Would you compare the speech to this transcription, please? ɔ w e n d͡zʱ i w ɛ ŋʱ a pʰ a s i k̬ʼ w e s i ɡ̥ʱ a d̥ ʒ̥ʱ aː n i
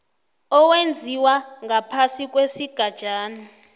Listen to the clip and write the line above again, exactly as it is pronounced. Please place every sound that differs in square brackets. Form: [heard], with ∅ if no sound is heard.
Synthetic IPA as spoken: ɔ w e n d͡zʱ i w [a] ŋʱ a pʰ a s i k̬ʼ w e s i ɡ̥ʱ a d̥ ʒ̥ʱ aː n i